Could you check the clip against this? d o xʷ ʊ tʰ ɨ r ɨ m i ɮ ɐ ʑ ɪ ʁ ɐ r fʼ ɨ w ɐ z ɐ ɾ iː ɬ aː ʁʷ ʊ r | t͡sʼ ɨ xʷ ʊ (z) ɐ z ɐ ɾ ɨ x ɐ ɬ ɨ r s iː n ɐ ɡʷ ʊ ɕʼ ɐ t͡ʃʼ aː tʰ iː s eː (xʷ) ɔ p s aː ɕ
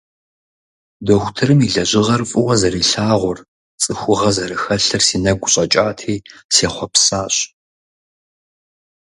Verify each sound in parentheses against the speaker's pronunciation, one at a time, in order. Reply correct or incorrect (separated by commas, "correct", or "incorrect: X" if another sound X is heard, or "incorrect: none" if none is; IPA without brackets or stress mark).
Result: incorrect: ʁ, incorrect: χʷ